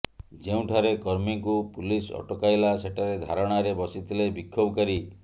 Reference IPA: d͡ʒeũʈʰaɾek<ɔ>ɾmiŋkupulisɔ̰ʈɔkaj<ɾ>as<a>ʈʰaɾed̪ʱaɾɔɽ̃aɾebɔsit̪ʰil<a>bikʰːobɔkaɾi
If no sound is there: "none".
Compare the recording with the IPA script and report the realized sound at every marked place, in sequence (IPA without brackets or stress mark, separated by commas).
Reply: ɔ, l, e, e